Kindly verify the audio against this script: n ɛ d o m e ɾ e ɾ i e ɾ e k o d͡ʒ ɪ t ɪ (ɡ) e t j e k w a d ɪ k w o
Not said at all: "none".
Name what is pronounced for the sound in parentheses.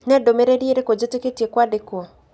k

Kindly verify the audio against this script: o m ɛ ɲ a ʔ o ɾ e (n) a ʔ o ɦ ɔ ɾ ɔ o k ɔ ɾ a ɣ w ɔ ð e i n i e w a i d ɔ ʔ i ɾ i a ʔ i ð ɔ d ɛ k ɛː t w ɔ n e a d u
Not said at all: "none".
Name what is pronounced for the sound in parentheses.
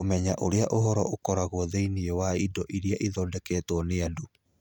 none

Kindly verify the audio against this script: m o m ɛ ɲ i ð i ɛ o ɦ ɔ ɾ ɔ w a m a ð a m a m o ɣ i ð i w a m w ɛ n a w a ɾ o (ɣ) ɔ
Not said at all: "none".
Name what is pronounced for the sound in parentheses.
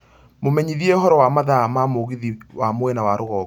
ɣ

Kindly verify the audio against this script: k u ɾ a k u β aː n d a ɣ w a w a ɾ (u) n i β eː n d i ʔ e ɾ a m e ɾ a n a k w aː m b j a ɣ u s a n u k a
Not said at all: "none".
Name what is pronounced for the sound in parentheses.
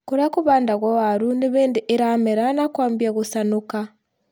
u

